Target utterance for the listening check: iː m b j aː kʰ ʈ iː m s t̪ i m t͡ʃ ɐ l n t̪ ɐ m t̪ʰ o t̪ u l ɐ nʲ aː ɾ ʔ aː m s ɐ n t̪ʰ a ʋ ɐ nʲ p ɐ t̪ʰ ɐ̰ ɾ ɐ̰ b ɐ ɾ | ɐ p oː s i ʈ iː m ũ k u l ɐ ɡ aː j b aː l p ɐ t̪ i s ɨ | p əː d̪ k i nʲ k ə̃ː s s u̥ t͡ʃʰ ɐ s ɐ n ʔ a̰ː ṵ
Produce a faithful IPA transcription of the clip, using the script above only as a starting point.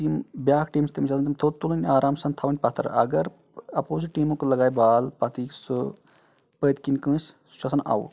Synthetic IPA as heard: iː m b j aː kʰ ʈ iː m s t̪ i m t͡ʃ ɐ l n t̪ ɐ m t̪ʰ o t̪ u l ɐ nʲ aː ɾ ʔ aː m s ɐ n t̪ʰ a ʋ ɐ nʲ p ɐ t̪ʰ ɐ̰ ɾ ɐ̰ ɡ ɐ ɾ | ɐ p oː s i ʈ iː m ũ k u l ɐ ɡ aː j b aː l p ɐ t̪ i s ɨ | p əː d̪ k i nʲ k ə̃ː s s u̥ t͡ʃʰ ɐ s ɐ n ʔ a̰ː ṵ